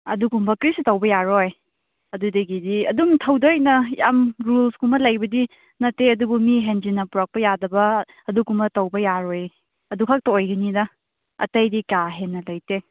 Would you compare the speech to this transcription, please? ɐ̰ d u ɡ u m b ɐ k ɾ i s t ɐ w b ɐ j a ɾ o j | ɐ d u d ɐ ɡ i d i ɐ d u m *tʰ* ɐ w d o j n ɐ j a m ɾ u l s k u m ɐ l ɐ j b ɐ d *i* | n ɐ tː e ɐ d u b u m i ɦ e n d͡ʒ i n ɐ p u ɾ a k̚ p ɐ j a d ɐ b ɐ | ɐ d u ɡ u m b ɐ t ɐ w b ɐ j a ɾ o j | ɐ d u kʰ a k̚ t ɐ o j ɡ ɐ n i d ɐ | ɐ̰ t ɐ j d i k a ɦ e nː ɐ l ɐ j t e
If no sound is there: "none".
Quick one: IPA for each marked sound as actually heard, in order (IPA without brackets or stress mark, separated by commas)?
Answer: tʰ, i